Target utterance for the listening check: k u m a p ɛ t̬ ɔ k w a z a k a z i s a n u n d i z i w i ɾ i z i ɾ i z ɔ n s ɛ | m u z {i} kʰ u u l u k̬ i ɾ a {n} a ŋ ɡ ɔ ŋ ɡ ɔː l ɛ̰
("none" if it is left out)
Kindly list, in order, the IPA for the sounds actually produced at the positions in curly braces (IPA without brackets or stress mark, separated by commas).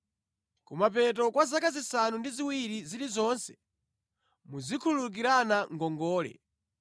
i, n